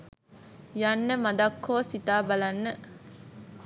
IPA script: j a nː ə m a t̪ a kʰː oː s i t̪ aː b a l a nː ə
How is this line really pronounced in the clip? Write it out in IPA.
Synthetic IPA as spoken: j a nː ə m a d̪ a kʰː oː s i t̪ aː b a l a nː ə